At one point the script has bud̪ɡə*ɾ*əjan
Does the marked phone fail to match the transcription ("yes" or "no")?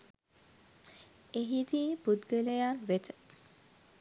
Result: yes